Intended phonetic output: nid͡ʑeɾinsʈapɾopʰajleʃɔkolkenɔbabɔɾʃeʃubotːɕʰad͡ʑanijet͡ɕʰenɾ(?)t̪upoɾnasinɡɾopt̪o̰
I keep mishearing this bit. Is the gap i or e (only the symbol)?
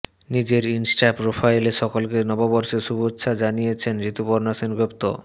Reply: i